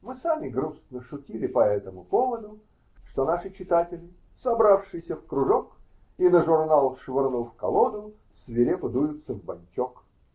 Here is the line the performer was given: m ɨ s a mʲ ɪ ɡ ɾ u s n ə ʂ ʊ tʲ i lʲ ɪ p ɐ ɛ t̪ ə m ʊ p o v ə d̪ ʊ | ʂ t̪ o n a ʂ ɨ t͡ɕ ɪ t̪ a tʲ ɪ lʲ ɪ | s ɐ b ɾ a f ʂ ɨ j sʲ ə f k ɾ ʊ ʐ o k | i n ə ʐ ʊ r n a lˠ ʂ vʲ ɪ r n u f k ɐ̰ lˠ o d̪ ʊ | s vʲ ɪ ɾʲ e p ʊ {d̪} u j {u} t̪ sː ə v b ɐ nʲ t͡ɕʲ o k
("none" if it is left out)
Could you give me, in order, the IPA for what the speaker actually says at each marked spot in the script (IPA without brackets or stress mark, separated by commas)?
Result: d̪, ʊ